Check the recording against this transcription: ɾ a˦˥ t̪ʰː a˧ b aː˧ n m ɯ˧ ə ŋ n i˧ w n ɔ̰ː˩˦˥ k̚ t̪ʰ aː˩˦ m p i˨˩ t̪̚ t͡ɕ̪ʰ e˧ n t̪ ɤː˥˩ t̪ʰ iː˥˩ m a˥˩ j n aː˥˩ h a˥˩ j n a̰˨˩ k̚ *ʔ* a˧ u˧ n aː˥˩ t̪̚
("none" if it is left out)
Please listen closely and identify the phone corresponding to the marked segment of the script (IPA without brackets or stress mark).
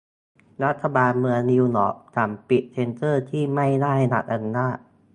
ʔ